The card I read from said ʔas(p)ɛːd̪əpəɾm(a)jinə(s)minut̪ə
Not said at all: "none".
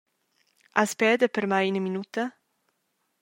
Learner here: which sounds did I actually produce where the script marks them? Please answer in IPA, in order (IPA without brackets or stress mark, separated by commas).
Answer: p, a, none